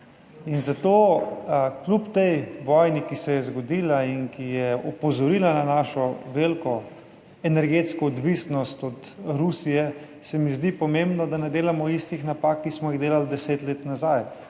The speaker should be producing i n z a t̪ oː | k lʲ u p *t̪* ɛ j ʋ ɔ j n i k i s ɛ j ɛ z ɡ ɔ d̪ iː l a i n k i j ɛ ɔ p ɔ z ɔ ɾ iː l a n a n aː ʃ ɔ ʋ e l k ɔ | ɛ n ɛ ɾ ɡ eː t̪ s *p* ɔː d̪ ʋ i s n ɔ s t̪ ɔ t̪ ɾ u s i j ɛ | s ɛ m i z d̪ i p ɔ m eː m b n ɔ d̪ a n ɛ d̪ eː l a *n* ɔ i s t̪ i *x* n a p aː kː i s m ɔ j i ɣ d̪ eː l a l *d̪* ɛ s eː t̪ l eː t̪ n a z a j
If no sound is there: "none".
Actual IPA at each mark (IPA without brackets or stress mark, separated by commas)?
t̪, k, m, x, d̪